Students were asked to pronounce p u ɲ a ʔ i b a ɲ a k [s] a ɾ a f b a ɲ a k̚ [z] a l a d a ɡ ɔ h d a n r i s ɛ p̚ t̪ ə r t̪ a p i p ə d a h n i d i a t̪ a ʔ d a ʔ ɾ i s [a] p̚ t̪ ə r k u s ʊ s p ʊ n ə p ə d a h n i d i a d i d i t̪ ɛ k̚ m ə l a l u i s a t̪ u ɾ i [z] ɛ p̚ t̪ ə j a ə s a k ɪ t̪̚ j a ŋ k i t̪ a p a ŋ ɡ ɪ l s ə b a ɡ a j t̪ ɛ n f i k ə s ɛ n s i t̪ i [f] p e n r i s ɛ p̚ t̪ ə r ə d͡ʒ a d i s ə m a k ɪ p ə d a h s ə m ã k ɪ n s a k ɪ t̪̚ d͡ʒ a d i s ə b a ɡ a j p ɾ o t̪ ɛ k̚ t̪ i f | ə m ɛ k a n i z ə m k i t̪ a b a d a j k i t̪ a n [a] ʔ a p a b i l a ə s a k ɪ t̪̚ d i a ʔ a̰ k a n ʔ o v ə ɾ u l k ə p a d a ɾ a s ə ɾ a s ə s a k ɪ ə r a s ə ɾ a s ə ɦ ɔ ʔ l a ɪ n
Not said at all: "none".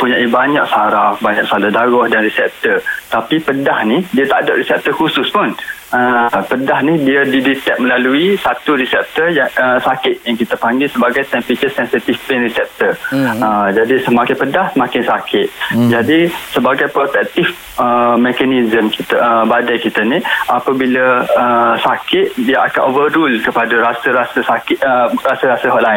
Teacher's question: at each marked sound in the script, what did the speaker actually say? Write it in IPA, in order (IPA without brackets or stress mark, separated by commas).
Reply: s, s, ɛ, s, f, i